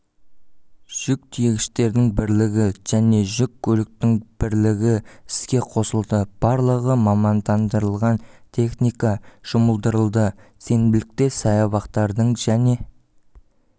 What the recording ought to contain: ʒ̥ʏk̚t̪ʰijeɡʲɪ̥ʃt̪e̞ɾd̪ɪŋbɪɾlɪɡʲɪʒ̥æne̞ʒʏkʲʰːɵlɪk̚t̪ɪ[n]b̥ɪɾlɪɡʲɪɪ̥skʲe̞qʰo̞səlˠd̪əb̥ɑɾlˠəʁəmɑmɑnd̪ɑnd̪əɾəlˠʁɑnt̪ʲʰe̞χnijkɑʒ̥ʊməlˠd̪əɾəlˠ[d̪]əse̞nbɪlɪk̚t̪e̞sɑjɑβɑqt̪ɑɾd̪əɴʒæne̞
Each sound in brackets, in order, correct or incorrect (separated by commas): incorrect, correct